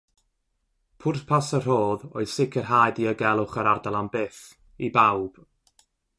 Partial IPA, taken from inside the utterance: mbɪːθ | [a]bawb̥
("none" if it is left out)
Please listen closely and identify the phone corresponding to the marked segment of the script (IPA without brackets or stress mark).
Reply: i